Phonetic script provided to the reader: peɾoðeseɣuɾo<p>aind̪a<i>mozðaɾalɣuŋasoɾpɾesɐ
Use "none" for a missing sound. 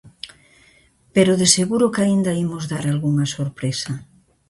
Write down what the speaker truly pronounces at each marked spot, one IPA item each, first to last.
k, i

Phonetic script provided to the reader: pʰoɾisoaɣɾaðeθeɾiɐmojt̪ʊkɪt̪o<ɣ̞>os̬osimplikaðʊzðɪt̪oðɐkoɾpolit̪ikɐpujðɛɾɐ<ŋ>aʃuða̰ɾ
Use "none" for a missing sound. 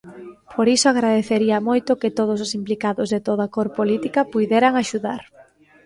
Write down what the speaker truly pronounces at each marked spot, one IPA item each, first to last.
ð̞, ŋ

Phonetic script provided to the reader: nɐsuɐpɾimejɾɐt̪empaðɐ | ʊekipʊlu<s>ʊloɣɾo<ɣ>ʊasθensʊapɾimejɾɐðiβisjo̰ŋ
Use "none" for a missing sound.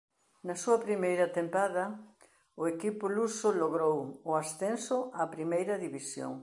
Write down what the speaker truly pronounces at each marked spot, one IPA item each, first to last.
s, w

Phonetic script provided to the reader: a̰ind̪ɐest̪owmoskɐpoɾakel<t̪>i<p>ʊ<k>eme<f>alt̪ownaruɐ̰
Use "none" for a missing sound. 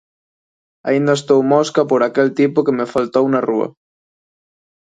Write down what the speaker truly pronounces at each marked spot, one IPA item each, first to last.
t̪, p, k, f

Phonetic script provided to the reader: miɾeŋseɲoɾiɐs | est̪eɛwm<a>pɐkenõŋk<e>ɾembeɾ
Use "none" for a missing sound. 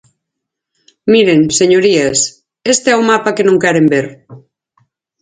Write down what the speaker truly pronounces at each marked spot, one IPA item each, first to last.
a, ɛ

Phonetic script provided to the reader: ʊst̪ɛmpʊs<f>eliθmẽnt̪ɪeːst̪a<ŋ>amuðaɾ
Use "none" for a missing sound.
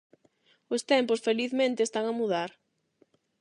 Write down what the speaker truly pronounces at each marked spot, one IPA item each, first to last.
f, ŋ

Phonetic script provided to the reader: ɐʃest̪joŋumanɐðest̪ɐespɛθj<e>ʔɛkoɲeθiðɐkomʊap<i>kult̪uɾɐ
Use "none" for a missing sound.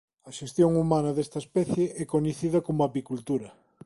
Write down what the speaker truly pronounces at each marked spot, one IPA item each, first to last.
e, i

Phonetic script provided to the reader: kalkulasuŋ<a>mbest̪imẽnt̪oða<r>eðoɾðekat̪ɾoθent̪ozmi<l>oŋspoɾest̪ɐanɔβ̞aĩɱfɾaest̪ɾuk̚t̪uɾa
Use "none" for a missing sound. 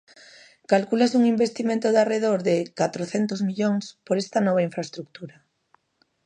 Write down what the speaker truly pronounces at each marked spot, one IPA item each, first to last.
i, r, ʎ

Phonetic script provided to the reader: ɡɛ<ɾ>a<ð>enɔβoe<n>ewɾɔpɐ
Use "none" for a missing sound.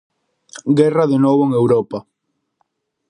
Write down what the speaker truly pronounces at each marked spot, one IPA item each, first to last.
r, ð, ŋ

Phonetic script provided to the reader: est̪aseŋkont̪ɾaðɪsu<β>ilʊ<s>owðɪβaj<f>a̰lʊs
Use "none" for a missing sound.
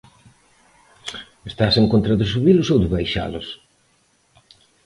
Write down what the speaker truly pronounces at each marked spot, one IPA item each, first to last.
β, s, ʃ

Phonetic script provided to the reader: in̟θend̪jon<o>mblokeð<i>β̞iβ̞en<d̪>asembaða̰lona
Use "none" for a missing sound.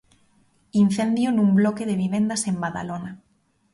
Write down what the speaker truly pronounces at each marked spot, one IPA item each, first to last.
u, e, d̪

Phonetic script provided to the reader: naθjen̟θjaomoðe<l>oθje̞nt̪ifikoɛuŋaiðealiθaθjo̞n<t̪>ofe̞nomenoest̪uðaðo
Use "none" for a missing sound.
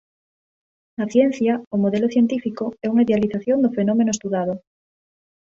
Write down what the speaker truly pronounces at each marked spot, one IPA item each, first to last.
l, d̪

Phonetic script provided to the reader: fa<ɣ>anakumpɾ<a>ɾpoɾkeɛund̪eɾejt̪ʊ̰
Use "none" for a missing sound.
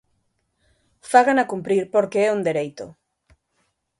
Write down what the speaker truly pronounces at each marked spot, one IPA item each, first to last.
ɣ, i

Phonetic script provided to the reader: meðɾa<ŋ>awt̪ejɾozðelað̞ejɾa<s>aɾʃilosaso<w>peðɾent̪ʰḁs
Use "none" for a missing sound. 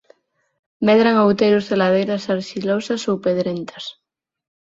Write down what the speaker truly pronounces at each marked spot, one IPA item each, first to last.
ŋ, s, w

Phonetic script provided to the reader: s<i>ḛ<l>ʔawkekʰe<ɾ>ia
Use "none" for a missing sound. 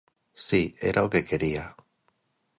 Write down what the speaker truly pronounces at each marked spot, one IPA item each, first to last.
i, ɾ, ɾ

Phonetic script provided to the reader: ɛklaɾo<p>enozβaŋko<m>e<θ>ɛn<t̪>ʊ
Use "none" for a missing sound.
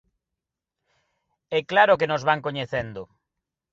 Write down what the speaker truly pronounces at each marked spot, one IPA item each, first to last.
k, ɲ, θ, d̪

